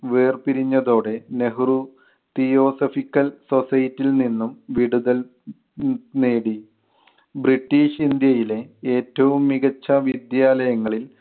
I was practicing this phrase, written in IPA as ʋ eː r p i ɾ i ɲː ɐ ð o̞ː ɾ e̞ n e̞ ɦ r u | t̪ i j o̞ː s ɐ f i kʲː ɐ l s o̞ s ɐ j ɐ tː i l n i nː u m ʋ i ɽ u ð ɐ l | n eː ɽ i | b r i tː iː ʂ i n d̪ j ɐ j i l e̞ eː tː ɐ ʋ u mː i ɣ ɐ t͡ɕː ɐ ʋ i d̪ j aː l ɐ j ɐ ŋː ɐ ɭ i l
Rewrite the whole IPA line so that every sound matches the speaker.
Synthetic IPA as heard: ʋ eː r p i ɾ i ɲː ɐ ð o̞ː ɽ e̞ n e̞ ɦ r u | t̪ i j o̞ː s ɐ f i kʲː ɐ l s o̞ s ɐ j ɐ tː i l n i nː u m ʋ i ɽ u ð ɐ l | n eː ɽ i | b r i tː iː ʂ i n d̪ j ɐ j i l e̞ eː tː ɐ ʋ u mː i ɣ ɐ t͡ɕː ɐ ʋ i d̪ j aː l ɐ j ɐ ŋː ɐ ɭ i l